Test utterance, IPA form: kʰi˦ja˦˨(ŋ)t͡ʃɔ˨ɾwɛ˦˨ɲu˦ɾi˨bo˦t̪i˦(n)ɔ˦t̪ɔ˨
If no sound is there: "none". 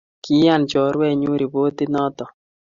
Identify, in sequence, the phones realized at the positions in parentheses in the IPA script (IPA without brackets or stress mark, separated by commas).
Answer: n, n